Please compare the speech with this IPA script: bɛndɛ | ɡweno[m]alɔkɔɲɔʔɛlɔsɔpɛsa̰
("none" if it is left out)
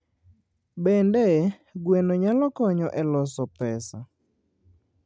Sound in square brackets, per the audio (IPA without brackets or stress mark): ɲ